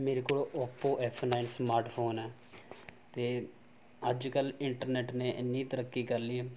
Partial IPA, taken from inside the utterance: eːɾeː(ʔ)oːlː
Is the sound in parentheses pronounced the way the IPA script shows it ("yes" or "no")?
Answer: no